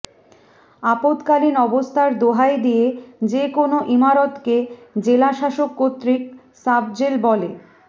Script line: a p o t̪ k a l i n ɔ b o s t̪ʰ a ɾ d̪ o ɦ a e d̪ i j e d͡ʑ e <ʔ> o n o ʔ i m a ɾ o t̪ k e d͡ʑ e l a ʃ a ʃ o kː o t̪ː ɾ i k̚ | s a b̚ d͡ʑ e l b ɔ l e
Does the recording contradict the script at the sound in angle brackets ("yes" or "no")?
yes